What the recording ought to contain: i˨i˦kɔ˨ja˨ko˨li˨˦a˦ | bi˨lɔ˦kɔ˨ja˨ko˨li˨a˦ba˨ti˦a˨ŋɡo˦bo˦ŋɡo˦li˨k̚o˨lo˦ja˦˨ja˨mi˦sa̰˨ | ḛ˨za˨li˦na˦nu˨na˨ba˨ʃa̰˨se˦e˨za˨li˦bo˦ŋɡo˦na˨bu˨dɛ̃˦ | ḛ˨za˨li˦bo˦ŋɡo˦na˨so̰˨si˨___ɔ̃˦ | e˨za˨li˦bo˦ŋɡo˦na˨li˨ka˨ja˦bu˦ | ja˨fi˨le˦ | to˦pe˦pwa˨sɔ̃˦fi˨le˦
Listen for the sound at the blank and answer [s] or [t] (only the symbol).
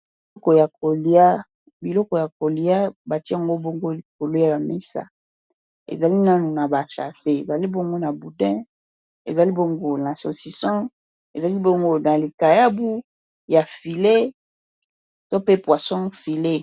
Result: s